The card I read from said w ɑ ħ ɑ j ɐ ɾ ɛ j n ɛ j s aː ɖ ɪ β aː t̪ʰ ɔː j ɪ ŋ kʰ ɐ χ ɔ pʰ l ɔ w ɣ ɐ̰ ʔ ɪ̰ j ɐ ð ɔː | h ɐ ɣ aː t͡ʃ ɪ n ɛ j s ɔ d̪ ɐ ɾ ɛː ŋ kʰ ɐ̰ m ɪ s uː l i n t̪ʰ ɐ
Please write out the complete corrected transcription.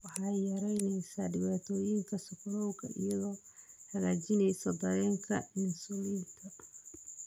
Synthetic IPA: w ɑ ħ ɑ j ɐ ɾ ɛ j n ɛ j s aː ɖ ɪ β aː t̪ʰ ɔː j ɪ ŋ kʰ ɐ s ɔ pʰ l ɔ w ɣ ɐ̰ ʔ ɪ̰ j ɐ ð ɔː | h ɐ ɣ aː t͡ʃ ɪ n ɛ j s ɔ d̪ ɐ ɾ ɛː ŋ kʰ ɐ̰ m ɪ s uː l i n t̪ʰ ɐ